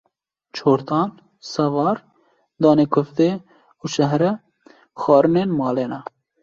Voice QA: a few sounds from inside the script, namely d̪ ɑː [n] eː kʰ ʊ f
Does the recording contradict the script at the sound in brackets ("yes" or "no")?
no